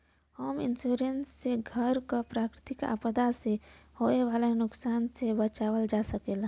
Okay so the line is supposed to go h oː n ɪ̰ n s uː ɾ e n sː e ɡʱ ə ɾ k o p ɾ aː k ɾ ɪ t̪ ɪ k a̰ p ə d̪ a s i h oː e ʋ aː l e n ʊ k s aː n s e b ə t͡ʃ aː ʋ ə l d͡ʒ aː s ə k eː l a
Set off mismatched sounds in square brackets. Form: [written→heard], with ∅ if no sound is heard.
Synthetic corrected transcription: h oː [n→m] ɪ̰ n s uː ɾ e n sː e ɡʱ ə ɾ k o p ɾ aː k ɾ ɪ t̪ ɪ k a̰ p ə d̪ a s [i→e] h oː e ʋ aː l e n ʊ k s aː n s e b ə t͡ʃ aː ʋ ə l d͡ʒ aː s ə k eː l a